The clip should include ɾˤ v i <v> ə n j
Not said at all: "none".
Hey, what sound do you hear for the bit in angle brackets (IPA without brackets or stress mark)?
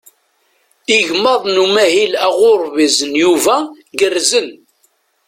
z